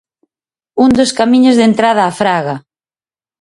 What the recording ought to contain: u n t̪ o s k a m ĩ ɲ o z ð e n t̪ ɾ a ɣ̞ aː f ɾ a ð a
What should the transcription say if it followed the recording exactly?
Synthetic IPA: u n d̪ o s k a m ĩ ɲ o z ð e n t̪ ɾ a ð̞ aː f ɾ a ɣ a